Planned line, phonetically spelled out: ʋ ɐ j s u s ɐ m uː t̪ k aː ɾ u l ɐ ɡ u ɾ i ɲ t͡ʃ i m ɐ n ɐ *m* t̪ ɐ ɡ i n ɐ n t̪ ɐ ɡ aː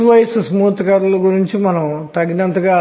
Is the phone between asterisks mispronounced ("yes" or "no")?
no